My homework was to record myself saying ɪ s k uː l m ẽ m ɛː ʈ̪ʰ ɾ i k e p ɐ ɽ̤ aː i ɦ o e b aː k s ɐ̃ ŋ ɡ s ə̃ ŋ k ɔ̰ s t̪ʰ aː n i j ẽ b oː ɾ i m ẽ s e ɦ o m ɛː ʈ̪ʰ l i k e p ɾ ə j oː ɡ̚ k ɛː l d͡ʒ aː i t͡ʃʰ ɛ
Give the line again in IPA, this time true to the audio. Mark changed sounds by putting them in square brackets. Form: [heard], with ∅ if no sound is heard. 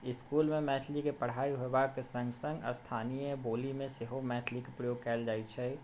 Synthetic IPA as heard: ɪ s k uː l m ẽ m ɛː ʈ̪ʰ [l] i k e p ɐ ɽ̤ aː i ɦ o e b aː k s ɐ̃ ŋ ɡ s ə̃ ŋ [ɡ] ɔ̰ s t̪ʰ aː n i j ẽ b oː [l] i m ẽ s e ɦ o m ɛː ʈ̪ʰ l i k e p ɾ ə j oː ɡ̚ k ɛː l d͡ʒ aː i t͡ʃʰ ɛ